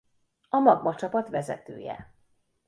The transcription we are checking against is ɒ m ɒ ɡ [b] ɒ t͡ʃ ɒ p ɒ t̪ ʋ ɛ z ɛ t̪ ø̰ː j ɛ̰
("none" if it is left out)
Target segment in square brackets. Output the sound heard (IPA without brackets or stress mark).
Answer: m